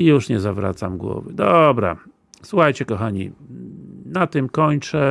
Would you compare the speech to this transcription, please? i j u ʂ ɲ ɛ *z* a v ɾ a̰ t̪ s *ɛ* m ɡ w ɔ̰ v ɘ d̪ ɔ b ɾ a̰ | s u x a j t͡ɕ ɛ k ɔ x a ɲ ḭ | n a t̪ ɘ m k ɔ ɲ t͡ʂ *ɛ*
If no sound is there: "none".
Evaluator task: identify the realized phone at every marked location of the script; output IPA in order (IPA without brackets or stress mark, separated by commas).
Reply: z, a, ɛ